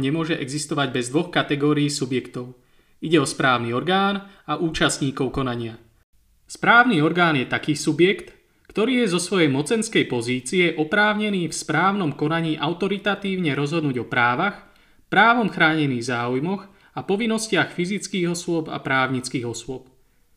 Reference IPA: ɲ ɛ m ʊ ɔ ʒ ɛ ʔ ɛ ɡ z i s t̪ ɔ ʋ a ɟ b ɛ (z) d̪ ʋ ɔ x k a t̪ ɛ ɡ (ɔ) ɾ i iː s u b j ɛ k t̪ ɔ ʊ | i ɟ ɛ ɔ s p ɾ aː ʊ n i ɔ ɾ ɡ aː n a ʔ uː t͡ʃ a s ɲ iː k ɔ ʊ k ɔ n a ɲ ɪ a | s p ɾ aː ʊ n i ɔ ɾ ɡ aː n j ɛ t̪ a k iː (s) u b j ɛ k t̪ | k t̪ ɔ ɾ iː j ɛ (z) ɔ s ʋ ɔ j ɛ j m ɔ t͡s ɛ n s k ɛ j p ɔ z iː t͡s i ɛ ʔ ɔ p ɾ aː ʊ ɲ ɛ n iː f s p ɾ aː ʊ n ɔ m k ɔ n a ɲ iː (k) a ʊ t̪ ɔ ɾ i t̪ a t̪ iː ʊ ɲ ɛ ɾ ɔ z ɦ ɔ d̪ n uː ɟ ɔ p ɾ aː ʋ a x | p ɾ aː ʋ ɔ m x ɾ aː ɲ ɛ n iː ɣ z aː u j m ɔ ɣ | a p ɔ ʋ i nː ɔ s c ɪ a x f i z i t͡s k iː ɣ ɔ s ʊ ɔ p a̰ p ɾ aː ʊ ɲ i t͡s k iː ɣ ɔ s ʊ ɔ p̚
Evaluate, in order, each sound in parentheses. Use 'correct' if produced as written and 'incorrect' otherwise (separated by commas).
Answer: correct, incorrect, correct, correct, incorrect